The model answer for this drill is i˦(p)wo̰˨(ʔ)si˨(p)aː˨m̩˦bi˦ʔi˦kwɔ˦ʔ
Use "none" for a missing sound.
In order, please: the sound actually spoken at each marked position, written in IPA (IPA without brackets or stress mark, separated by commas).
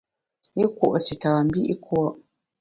k, ʔ, t